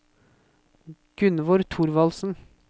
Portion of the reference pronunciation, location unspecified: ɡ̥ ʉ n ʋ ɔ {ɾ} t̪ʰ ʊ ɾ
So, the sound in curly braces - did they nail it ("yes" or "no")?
yes